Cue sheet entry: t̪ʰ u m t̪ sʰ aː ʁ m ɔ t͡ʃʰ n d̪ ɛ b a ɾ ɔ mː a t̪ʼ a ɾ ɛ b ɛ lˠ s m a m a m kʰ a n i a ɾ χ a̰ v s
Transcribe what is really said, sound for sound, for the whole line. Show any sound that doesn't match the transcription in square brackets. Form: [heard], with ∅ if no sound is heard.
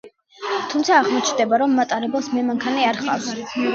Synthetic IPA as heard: t̪ʰ u m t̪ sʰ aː ʁ m ɔ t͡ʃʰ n d̪ ɛ b a ɾ ɔ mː a t̪ʼ a ɾ ɛ b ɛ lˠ s m [ɛ] m a [ŋ] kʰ a n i a ɾ χ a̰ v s